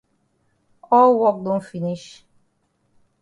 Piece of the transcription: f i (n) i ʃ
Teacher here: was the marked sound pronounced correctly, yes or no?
yes